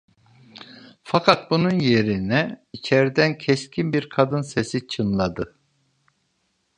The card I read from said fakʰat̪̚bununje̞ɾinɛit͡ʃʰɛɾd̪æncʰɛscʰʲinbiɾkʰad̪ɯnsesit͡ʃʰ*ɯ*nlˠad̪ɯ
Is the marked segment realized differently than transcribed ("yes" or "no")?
no